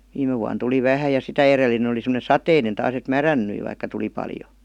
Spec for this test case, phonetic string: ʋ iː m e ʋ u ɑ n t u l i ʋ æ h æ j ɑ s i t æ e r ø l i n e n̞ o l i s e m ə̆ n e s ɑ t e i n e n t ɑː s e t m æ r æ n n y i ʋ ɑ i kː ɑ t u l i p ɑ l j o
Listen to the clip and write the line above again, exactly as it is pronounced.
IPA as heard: ʋ iː m e ʋ u ɑ n t u l i ʋ æ h æ j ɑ s i t æ e r e l i n e n̞ o l i s e m ə̆ n e s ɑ t e i n e n t ɑː s e t m æ r æ n n y i ʋ ɑ i kː ɑ t u l i p ɑ l j o